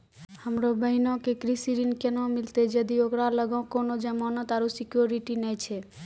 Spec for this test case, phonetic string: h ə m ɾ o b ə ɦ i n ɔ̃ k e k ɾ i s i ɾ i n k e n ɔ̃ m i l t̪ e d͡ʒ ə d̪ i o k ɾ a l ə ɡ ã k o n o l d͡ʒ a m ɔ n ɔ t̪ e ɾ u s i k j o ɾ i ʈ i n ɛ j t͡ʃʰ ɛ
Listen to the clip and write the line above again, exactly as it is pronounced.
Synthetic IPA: h ə m ɾ o b ə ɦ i n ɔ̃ k e k ɾ i s i ɾ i n k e n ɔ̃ m i l t̪ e d͡ʒ ə d̪ i o k ɾ a l ə ɡ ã k o n o d͡ʒ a m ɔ n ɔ t̪ a ɾ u s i k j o ɾ i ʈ i n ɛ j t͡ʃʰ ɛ

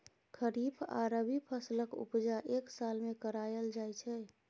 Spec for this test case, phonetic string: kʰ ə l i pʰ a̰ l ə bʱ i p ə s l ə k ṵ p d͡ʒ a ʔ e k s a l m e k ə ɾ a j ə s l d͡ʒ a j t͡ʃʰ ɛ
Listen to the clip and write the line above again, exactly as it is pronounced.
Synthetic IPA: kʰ ə ɾ i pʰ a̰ ɾ ə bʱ i pʰ ə s l ə k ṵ p d͡ʒ a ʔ e k s a l m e k ə ɾ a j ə l d͡ʒ a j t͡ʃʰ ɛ

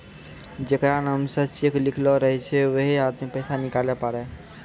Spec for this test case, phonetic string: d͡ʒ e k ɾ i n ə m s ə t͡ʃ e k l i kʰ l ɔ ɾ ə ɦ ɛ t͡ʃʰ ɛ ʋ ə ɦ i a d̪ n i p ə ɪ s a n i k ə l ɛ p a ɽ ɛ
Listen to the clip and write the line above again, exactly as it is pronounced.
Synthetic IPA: d͡ʒ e k ɾ a n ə m s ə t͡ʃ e k l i kʰ l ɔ ɾ ə ɦ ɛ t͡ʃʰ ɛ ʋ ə ɦ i a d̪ m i p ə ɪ s a n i k a l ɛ p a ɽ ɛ

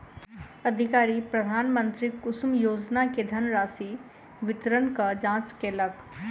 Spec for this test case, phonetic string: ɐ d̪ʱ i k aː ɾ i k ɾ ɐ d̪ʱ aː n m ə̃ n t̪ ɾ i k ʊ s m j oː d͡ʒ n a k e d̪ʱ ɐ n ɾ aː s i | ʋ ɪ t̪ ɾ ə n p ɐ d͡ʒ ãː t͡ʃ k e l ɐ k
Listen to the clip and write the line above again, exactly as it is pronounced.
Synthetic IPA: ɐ d̪ʱ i k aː ɾ i p ɾ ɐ d̪ʱ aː n m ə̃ n t̪ ɾ i k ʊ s m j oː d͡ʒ n a k e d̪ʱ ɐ n ɾ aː s i | ʋ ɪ t̪ ɾ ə n k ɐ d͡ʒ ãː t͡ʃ k e l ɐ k

